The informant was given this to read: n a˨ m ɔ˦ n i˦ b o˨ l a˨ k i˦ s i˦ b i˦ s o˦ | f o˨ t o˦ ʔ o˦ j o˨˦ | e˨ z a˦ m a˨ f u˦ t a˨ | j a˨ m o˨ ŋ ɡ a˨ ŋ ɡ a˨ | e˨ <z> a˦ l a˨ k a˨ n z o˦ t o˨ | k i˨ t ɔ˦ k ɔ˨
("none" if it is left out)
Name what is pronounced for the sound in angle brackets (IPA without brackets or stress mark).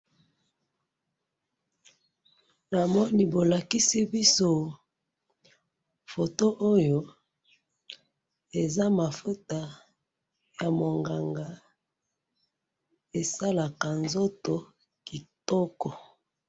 s